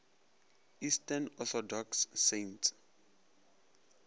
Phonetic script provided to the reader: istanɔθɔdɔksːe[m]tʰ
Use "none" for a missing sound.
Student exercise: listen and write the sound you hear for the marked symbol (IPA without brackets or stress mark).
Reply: n